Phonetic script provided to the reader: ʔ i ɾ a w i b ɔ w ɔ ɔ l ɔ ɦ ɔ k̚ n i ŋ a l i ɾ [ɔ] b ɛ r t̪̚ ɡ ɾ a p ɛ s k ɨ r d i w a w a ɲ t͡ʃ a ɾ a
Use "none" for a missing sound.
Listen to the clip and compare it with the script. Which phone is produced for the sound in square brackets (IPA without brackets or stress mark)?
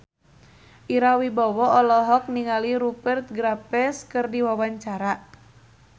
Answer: u